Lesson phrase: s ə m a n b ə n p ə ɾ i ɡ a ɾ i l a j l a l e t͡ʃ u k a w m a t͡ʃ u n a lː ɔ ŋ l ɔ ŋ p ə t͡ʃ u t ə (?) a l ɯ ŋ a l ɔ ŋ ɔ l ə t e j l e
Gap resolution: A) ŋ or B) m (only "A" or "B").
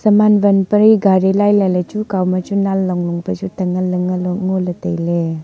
A